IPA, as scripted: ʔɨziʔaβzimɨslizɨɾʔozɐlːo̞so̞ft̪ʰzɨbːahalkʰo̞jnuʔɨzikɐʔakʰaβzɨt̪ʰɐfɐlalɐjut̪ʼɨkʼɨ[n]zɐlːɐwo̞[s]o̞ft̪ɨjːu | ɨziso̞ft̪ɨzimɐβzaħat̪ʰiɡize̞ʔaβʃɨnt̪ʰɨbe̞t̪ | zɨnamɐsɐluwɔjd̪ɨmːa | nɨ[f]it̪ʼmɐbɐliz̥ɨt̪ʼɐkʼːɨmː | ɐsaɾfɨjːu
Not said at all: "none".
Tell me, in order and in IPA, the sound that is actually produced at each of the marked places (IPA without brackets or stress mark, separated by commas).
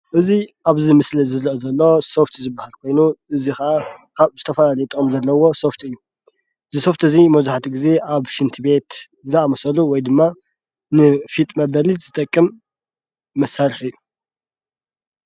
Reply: m, s, f